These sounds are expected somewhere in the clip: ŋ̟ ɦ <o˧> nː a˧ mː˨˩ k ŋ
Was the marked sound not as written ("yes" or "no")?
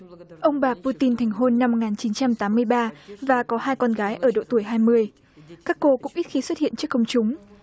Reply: no